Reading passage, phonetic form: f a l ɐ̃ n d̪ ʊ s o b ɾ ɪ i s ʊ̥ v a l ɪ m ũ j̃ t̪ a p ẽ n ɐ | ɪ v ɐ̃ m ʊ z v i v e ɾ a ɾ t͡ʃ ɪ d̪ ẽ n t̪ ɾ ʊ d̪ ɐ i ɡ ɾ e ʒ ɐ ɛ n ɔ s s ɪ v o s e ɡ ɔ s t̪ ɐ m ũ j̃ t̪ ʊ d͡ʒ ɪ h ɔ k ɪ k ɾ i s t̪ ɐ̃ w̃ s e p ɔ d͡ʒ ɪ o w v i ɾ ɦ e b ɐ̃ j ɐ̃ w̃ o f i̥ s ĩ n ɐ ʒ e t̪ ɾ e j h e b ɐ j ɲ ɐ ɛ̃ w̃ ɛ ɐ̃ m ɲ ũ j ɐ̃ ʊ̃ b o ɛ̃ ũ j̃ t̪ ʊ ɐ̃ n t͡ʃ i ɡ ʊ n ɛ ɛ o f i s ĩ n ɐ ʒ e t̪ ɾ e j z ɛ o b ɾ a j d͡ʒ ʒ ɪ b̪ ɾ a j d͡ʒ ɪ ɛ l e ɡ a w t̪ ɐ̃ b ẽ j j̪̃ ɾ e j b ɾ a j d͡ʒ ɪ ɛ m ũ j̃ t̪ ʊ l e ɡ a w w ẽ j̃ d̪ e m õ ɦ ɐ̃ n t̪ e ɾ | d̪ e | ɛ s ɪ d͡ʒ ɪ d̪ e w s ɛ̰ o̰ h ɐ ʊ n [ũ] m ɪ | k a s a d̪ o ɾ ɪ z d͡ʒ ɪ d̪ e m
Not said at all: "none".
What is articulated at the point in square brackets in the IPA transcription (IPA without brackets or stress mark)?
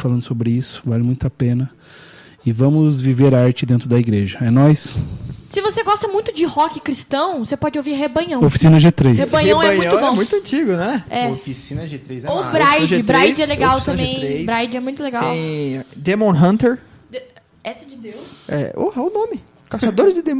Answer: õ